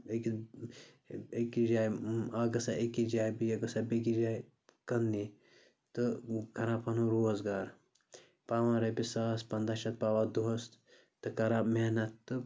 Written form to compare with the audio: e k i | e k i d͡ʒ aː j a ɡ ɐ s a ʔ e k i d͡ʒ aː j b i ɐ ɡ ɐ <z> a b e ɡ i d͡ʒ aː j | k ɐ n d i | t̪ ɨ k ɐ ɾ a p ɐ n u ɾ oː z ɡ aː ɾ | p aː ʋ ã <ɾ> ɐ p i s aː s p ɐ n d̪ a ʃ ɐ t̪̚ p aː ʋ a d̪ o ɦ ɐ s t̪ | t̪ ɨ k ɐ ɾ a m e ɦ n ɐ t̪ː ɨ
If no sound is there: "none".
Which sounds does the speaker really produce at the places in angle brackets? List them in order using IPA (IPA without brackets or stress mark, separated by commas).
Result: s, ɾ